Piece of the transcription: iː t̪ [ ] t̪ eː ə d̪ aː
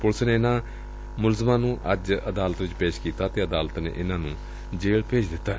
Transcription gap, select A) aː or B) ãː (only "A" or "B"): A